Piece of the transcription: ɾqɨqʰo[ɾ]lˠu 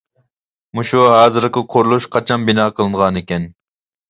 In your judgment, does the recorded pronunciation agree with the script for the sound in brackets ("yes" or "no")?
yes